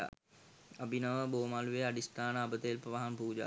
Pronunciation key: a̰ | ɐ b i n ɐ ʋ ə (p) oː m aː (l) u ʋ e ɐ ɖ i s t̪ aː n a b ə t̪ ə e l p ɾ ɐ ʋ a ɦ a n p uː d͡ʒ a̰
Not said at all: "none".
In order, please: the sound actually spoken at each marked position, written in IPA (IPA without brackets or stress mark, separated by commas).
b, l